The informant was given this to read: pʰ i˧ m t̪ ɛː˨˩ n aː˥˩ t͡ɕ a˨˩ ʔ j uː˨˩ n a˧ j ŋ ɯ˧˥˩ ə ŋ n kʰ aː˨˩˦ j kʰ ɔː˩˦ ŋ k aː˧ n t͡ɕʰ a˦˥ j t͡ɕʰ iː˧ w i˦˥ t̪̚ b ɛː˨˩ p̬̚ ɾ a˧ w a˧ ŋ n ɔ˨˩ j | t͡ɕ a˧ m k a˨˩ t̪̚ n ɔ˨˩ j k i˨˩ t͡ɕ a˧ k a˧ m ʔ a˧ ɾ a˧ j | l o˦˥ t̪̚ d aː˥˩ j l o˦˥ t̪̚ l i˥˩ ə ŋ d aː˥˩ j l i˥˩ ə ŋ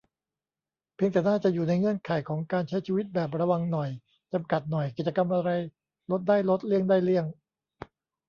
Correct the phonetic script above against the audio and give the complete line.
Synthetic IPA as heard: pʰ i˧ ŋ t̪ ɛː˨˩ n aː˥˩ t͡ɕ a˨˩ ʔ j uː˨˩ n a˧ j ŋ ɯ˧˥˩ ə n kʰ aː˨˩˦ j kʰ ɔː˩˦ ŋ k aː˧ n t͡ɕʰ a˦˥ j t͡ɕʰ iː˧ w i˦˥ t̪̚ b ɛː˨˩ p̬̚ ɾ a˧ w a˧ ŋ n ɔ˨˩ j | t͡ɕ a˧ m k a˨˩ t̪̚ n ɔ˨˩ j k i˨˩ t͡ɕ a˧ k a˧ m ʔ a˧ ɾ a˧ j | l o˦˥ t̪̚ d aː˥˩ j l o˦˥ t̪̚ l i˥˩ ə ŋ d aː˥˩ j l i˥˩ ə ŋ